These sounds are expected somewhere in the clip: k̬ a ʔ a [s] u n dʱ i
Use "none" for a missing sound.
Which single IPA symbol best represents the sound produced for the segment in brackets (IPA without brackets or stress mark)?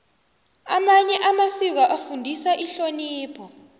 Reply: f